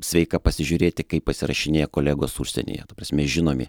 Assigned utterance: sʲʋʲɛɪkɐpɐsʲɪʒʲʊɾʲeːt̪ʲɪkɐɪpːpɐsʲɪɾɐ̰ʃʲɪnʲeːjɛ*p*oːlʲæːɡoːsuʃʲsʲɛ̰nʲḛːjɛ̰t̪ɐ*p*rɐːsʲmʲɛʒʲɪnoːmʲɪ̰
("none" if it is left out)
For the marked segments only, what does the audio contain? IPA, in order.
k, p

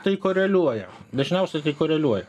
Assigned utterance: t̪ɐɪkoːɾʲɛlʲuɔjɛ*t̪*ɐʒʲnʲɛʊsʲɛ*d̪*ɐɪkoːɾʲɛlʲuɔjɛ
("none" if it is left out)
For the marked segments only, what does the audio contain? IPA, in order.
d̪, t̪

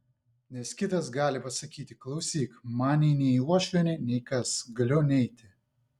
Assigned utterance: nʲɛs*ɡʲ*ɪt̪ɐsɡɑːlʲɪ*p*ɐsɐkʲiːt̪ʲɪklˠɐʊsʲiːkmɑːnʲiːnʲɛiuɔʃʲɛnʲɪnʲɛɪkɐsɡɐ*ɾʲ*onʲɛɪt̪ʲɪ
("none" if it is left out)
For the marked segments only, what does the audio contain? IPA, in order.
kʲ, p, lʲ

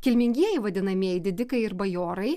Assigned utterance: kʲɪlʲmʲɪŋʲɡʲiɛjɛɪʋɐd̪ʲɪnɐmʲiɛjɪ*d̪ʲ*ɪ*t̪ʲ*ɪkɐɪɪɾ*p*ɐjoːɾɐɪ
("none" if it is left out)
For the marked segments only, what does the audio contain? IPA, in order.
d̪ʲ, d̪ʲ, b

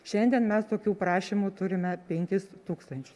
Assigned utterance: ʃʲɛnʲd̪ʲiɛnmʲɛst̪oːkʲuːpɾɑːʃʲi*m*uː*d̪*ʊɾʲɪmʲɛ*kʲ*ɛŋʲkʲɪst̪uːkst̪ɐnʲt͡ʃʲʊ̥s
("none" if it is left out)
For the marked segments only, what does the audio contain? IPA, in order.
m, t̪, pʲ

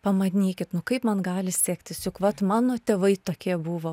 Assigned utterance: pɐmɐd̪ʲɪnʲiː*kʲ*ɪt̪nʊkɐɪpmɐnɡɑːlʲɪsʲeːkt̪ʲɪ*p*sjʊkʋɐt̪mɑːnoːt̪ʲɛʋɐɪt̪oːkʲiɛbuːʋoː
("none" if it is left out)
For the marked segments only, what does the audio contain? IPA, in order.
kʲ, none

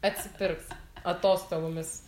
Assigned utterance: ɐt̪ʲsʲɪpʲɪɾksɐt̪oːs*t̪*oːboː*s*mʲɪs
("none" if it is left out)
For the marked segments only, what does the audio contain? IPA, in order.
t̪, none

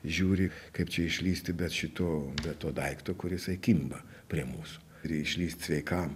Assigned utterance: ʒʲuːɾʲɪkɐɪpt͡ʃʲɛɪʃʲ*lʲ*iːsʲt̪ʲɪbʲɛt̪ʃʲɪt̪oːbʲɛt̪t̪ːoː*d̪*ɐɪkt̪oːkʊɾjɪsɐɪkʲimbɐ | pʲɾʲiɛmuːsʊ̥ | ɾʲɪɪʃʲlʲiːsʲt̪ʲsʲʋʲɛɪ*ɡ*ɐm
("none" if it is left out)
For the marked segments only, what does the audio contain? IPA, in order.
lʲ, d̪, k

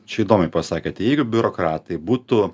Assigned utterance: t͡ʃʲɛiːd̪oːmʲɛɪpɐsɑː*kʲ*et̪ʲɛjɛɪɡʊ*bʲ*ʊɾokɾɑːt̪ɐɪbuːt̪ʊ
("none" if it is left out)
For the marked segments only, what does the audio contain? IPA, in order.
kʲ, bʲ

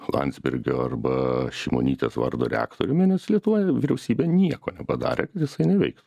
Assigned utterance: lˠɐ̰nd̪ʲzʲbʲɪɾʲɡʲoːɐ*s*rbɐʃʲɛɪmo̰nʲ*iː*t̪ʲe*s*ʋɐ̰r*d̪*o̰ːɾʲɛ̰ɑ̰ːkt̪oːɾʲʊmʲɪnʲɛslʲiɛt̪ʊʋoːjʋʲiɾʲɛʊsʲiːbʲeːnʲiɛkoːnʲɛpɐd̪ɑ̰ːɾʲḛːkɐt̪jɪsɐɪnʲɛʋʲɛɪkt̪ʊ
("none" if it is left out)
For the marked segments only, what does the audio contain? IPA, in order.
none, iː, s, d̪

